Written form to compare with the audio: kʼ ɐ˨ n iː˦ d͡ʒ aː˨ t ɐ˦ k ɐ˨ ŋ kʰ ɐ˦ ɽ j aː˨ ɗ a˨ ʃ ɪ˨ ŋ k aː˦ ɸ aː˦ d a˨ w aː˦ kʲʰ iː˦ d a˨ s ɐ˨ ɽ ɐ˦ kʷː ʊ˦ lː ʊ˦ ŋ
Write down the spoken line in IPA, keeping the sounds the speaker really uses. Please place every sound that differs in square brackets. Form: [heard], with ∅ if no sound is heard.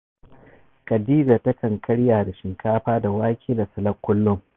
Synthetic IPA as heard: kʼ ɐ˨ [d] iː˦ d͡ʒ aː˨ t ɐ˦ k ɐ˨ ŋ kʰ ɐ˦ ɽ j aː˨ [d] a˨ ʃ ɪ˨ ŋ k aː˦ ɸ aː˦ d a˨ w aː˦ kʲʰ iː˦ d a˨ s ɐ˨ [l] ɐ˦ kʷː ʊ˦ lː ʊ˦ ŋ